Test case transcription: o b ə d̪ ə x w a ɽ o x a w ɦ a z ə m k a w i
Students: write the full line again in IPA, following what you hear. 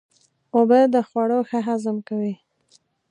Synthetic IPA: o b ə d̪ ə x w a ɽ o x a ɦ a z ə m k a w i